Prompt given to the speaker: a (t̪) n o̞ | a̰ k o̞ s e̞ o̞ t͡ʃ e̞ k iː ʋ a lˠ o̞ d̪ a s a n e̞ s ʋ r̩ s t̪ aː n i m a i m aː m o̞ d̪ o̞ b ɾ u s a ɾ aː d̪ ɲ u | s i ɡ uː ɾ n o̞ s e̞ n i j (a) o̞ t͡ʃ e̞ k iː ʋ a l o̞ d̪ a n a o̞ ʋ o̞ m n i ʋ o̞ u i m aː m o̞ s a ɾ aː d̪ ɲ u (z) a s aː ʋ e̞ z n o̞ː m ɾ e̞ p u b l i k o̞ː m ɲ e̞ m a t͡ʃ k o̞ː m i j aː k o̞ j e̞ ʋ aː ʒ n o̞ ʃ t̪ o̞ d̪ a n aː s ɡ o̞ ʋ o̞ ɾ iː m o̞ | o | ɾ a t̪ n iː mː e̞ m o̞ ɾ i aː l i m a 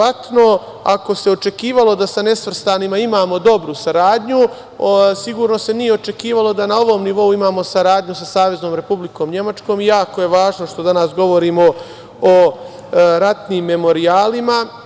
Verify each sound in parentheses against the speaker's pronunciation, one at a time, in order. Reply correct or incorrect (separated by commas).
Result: correct, incorrect, incorrect